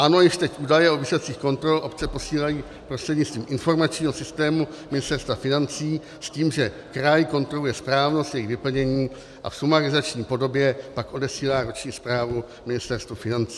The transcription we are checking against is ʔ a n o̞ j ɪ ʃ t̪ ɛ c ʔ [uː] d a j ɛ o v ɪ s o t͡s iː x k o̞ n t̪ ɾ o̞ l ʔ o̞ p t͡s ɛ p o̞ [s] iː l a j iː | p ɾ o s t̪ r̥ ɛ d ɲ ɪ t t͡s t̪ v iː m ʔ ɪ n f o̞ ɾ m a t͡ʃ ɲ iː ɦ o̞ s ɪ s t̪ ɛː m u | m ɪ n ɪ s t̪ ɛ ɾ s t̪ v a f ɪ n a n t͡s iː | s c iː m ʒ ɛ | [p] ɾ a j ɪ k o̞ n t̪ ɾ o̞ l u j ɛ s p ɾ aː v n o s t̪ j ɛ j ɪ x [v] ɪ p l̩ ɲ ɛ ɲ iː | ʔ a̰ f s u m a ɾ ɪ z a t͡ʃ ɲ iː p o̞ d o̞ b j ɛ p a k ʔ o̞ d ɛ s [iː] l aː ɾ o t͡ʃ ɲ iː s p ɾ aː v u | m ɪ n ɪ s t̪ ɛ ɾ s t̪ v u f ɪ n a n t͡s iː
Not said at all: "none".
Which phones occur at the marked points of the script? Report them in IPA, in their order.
uː, s, k, v, iː

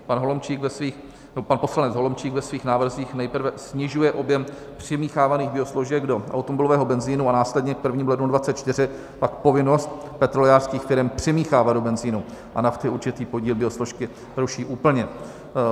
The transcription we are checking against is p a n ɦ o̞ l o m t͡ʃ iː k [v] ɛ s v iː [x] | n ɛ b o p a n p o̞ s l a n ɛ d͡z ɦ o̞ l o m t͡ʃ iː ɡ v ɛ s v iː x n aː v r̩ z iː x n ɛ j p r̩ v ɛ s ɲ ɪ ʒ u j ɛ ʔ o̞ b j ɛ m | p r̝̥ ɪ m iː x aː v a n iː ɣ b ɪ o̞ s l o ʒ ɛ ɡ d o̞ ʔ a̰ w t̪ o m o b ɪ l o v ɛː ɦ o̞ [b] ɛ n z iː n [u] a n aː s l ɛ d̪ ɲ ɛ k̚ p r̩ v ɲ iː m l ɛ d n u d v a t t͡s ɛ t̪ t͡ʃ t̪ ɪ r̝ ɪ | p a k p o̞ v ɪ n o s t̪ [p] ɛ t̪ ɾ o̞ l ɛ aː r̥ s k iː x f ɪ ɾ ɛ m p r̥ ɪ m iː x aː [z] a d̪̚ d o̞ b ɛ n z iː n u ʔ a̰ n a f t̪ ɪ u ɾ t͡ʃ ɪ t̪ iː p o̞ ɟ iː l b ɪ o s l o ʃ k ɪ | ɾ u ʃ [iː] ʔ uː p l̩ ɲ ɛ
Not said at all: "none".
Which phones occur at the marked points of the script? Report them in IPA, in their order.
v, x, b, u, p, v, iː

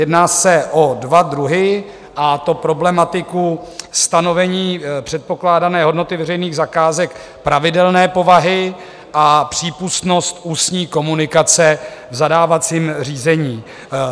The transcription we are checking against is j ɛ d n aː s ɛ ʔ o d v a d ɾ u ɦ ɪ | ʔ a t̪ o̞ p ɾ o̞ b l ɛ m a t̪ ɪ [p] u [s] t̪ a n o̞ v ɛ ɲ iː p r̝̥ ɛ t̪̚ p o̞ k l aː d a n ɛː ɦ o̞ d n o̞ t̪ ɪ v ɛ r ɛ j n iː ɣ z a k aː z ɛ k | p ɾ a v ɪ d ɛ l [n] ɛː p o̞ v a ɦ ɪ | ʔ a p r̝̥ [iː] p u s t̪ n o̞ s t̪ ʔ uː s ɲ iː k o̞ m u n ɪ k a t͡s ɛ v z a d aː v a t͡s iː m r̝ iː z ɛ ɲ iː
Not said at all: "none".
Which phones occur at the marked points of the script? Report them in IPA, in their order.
k, s, n, iː

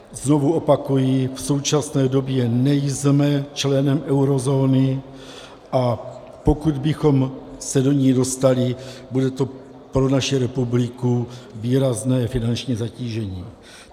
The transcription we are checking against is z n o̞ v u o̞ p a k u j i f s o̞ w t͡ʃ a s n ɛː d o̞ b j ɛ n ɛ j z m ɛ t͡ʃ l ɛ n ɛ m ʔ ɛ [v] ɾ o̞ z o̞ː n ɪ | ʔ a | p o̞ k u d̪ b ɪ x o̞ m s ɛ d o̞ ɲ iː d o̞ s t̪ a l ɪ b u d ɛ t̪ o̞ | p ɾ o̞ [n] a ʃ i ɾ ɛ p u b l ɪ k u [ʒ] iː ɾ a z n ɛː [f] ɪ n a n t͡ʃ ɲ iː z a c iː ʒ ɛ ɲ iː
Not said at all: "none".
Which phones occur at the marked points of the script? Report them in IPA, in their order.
w, n, v, f

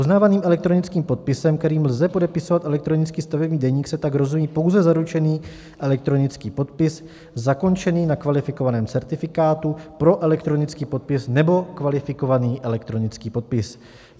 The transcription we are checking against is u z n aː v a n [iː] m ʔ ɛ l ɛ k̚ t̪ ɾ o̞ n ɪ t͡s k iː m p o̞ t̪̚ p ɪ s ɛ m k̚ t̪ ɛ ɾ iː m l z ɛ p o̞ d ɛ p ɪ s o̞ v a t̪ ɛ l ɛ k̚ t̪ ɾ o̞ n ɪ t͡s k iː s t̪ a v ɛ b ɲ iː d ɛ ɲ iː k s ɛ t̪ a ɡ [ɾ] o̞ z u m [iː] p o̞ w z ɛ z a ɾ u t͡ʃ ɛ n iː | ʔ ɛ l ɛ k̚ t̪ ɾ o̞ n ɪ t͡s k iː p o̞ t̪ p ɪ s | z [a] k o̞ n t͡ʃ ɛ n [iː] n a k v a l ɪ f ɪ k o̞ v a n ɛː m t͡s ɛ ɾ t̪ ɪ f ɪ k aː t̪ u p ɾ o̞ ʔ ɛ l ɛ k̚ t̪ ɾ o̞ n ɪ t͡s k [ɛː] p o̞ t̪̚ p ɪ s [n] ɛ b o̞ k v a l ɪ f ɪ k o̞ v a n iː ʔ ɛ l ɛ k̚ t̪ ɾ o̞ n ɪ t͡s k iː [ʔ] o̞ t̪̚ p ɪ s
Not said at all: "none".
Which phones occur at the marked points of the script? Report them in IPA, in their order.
iː, ɾ, iː, a, iː, iː, n, p

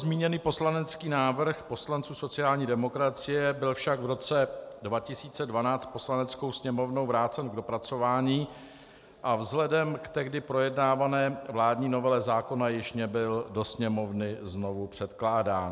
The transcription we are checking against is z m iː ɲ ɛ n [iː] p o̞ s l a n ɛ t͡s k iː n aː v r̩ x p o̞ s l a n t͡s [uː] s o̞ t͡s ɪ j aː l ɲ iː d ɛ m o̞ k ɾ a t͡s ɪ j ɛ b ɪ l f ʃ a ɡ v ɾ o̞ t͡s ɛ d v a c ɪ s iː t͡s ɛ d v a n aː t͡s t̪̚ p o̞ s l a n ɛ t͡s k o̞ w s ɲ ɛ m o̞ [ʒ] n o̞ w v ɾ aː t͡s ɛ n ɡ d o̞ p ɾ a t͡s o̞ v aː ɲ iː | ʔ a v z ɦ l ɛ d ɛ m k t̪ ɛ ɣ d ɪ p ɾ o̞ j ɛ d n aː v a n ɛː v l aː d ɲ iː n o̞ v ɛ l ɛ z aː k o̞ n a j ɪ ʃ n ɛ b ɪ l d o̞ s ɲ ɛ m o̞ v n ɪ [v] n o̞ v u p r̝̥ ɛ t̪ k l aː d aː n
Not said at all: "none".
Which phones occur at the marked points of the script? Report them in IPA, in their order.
iː, uː, v, z

